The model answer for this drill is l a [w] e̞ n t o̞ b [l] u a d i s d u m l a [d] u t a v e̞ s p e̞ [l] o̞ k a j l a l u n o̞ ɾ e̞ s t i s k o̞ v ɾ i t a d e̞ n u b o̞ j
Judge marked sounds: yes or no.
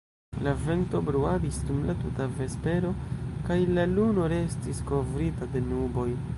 no, no, no, no

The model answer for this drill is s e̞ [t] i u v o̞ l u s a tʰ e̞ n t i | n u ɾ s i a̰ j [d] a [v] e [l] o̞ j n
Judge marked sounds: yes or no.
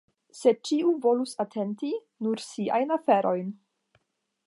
no, no, no, no

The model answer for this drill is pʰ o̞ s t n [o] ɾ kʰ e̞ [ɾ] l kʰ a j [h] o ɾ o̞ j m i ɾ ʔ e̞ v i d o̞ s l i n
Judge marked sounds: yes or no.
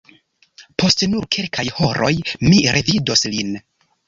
no, no, yes

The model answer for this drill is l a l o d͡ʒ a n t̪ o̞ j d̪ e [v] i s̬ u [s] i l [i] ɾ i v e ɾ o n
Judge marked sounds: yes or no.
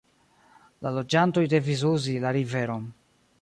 yes, no, no

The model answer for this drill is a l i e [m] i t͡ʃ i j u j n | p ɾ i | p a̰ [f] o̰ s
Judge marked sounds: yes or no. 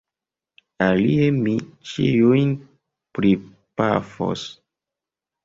yes, yes

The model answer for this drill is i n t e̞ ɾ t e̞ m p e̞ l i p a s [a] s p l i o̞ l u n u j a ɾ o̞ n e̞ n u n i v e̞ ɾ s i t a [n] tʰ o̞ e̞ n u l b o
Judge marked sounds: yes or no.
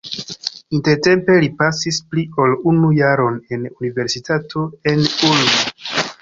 no, no

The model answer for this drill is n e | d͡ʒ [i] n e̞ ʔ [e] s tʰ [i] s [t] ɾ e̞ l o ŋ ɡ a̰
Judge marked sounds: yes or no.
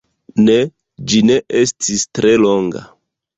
yes, yes, yes, yes

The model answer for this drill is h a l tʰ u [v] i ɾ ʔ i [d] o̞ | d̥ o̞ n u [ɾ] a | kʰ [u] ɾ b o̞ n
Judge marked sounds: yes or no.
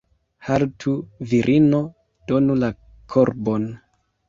yes, no, no, no

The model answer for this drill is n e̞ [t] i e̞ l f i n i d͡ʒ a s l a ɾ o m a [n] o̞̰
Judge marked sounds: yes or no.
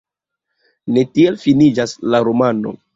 yes, yes

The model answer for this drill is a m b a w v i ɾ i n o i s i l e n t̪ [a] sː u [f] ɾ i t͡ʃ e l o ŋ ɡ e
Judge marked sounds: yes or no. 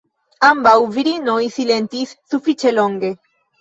no, yes

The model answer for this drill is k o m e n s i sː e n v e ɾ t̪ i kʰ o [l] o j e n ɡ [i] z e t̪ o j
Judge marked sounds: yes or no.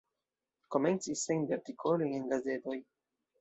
yes, no

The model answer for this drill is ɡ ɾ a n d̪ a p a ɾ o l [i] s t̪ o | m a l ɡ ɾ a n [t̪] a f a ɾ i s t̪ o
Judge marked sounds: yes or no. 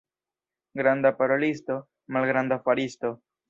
yes, no

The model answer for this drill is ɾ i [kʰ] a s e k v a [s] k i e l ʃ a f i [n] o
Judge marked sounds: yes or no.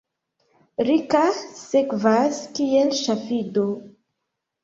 no, yes, no

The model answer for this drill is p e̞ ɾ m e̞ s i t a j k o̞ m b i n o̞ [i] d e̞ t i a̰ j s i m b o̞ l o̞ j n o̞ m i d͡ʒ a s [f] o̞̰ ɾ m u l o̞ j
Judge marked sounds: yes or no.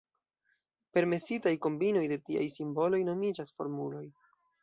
no, yes

